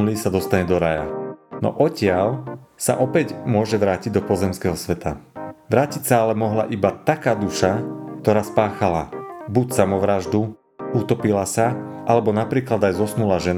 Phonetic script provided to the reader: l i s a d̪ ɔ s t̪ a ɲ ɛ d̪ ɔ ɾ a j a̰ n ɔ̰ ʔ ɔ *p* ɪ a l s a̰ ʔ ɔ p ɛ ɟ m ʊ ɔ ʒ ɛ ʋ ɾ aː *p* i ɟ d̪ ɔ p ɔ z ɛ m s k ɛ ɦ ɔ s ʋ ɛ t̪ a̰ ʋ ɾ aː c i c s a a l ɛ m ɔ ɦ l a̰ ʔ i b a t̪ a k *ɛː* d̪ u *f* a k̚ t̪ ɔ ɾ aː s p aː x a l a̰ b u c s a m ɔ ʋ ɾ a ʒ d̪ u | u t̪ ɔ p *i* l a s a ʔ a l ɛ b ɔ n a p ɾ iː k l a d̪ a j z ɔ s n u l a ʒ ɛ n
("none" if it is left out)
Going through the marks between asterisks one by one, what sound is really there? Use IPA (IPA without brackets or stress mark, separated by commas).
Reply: c, c, aː, ʃ, i